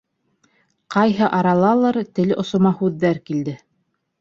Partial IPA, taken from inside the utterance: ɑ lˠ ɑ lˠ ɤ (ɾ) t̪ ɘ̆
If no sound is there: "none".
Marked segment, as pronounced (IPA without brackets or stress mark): ɾ